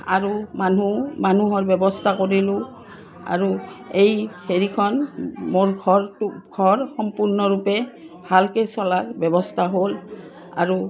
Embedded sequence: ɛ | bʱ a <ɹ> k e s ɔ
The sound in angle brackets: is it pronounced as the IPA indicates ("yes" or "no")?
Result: no